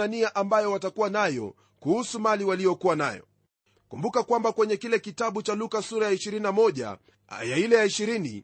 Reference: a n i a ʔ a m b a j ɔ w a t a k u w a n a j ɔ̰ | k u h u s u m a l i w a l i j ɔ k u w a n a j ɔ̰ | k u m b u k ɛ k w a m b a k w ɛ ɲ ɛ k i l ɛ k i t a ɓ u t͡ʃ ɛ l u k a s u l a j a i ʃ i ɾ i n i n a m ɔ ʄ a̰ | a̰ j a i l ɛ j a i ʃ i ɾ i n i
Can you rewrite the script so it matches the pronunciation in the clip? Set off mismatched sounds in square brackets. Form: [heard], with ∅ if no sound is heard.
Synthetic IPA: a n i a ʔ a m b a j ɔ w a t a k u w a n a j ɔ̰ | k u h u s u m a l i w a l i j ɔ k u w a n a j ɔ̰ | k u m b u k [a] k w a m b a k w ɛ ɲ ɛ k i l ɛ k i t a ɓ u t͡ʃ [a] l u k a s u [ɾ] a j a i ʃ i ɾ i n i n a m ɔ ʄ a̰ | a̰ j a i l ɛ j a i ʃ i ɾ i n i